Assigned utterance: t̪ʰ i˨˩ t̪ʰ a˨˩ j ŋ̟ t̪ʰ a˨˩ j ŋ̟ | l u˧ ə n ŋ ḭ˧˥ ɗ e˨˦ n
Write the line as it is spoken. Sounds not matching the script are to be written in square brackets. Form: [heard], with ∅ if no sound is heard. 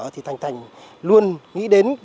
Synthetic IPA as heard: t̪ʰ i˨˩ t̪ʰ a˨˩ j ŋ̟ t̪ʰ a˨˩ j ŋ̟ | l u˧ ə n ŋ ḭ˧˥ ɗ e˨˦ n